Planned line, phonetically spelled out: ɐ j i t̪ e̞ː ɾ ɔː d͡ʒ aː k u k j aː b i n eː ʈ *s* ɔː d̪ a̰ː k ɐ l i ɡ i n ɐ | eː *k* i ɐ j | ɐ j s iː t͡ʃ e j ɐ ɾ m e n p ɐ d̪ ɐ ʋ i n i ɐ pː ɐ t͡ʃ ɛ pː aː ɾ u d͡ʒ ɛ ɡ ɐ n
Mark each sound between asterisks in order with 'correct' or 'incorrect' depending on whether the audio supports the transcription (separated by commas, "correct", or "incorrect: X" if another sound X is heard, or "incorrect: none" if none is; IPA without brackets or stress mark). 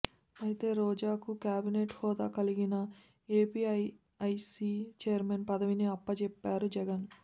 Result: incorrect: h, incorrect: p